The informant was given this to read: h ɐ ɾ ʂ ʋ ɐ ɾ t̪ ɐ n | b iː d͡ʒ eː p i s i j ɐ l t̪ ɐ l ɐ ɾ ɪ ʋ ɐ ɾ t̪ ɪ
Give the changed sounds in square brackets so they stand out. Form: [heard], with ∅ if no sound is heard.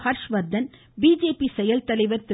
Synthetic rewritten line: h ɐ ɾ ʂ ʋ ɐ ɾ [d̪] ɐ n | b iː d͡ʒ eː p i s [ɛ] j ɐ l t̪ ɐ l ɐ [∅] ɪ ʋ ɐ ɾ t̪ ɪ